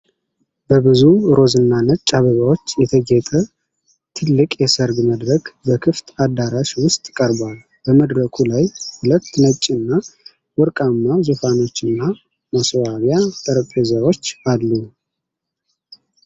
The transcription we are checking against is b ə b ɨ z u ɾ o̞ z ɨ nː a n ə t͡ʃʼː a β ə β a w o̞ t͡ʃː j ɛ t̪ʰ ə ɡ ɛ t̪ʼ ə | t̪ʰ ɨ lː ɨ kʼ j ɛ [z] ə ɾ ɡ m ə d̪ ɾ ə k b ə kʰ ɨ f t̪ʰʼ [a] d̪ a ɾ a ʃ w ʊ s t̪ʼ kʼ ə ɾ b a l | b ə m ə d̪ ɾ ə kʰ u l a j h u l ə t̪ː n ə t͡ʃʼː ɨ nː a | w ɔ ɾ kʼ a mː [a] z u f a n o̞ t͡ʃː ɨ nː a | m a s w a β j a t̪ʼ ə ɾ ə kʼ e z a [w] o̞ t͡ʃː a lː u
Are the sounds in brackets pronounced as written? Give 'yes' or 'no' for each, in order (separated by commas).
no, yes, yes, yes